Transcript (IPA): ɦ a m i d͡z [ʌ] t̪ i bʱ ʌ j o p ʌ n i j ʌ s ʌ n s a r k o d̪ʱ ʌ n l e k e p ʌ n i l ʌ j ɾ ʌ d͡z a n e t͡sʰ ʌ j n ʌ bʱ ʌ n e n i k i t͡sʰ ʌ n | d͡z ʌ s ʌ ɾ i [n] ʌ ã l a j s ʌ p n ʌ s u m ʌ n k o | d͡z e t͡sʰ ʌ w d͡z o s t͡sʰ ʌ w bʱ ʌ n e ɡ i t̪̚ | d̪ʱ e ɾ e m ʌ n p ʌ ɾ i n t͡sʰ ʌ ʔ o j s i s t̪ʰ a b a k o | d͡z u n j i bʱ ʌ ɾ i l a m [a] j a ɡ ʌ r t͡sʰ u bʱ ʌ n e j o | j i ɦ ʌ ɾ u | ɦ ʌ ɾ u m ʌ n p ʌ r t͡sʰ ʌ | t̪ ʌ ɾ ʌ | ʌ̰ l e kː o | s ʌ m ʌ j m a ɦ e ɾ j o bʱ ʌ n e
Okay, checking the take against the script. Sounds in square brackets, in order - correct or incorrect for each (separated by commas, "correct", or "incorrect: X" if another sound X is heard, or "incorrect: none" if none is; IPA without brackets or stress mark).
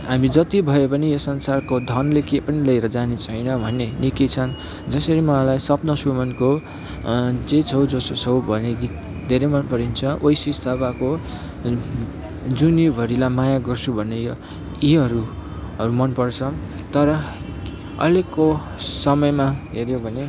correct, incorrect: m, correct